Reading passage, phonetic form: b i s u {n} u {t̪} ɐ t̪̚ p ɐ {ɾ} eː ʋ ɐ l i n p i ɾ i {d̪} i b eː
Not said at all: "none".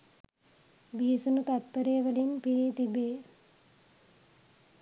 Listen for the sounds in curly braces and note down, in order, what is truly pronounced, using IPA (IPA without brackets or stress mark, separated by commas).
n, t̪, ɾ, t̪